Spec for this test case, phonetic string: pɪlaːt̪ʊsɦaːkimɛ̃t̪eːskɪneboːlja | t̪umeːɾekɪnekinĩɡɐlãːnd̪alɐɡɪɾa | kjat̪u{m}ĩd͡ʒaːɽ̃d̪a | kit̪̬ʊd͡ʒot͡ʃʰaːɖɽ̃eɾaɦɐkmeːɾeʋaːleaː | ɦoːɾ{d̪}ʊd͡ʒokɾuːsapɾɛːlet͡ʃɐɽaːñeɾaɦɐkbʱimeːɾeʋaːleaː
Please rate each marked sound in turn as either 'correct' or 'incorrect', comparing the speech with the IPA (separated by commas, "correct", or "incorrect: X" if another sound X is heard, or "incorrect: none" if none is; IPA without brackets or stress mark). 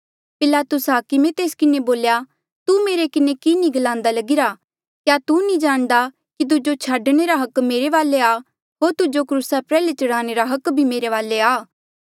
incorrect: n, incorrect: t̪